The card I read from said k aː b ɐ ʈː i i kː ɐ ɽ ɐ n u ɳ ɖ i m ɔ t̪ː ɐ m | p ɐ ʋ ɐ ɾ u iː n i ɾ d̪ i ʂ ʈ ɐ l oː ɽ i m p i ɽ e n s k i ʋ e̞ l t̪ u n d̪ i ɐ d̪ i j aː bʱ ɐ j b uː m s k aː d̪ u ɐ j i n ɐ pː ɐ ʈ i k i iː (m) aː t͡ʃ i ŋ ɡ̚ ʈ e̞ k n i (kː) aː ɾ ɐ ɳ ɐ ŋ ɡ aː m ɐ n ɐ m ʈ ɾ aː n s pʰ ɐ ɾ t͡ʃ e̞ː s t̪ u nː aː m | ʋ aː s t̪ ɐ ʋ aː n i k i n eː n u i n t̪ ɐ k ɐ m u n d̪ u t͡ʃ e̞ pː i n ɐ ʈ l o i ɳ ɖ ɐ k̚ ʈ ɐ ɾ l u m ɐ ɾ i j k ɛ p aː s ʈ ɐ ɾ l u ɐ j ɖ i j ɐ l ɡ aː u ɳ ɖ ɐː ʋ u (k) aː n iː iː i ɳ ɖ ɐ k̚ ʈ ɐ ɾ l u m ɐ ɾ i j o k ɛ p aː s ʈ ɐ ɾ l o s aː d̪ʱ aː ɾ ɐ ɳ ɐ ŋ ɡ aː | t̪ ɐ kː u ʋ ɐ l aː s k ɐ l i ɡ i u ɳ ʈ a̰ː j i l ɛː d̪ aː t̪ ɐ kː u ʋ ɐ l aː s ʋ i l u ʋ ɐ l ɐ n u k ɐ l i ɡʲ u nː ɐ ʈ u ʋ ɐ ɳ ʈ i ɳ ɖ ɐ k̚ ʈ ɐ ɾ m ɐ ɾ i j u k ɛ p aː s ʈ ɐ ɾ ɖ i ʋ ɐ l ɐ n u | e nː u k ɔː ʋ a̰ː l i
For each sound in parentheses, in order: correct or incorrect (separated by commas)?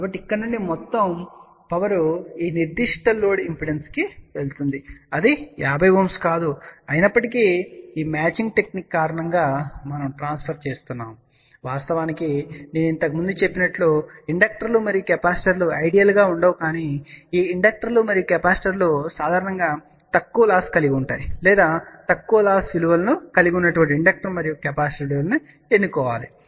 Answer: correct, correct, correct